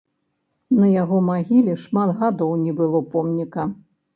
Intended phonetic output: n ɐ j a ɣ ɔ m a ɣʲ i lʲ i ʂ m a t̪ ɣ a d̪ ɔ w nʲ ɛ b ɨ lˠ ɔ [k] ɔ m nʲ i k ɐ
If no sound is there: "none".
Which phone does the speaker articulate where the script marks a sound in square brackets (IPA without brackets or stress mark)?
p